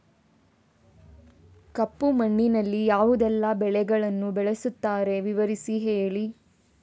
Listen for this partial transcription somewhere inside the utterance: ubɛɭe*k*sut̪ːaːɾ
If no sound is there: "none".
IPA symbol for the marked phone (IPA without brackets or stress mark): none